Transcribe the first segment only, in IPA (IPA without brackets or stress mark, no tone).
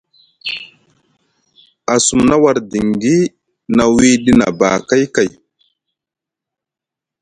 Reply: a